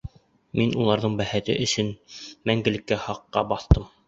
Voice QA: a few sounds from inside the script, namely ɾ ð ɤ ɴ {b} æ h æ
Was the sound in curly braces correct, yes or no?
yes